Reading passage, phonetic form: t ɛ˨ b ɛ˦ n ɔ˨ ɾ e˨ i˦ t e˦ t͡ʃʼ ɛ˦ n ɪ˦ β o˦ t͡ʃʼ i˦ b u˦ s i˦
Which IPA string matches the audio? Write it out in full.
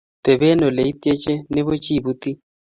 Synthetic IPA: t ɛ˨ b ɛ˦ n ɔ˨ l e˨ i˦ t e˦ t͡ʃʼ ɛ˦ n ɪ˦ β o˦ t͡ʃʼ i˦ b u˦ t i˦